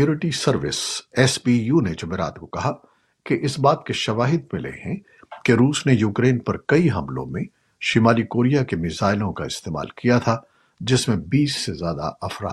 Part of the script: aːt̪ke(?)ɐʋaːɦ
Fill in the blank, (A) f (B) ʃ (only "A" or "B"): B